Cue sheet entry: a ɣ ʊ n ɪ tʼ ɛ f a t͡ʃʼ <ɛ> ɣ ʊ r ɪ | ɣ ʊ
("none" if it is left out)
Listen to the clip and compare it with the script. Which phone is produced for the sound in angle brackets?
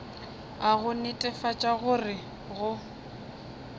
a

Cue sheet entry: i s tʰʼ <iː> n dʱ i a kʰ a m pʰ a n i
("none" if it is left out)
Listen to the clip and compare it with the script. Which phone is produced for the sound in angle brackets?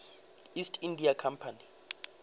i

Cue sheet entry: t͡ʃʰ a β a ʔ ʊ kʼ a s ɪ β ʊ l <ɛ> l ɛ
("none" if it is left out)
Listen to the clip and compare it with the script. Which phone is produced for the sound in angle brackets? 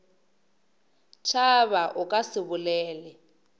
ɛː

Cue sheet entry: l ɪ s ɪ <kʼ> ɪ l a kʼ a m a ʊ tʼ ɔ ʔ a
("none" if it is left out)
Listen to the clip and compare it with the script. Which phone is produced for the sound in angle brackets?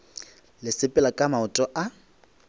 pʼ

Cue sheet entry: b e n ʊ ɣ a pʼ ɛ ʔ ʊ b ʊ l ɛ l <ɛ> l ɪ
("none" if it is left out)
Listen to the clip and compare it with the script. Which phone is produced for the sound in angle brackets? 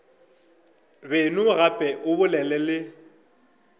ɛ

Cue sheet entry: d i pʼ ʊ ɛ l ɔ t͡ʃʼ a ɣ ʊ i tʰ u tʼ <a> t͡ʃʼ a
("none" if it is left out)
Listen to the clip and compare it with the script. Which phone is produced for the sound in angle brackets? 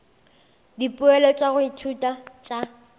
a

